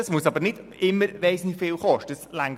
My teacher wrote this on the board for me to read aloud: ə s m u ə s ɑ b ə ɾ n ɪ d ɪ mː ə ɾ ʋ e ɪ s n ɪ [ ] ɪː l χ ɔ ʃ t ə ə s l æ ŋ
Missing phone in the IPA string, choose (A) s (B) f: B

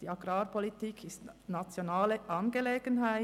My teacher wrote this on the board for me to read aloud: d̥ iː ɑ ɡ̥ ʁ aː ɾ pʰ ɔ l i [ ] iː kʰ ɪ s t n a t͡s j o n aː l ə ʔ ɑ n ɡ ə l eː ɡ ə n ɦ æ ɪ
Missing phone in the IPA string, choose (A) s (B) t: B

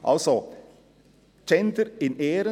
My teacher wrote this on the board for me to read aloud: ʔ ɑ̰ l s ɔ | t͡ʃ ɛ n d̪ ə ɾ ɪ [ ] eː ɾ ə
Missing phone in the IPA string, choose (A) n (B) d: A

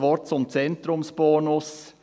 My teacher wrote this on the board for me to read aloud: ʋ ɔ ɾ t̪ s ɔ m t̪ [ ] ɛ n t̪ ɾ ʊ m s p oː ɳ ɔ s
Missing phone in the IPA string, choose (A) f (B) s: B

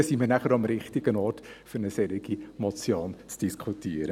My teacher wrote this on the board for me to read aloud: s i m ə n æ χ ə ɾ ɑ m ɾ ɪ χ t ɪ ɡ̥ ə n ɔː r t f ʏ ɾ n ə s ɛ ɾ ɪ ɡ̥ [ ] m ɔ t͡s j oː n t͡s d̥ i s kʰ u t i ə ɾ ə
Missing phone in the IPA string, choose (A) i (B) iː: A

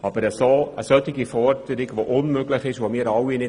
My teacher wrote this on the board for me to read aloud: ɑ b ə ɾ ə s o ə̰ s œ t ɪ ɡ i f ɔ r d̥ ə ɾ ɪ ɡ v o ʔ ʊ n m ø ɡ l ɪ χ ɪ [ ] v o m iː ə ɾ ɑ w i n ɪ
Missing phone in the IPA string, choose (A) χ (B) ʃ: B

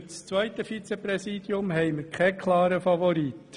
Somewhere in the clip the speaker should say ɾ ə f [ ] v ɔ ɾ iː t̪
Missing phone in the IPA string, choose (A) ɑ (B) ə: A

